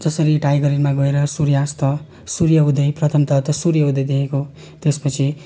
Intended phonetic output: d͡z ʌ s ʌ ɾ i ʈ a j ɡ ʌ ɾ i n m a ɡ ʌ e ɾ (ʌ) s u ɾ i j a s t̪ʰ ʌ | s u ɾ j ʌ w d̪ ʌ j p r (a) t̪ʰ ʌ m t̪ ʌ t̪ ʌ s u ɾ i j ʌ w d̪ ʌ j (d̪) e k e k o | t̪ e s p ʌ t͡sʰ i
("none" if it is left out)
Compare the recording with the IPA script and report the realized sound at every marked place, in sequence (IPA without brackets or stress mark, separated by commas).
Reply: ʌ, ʌ, d̪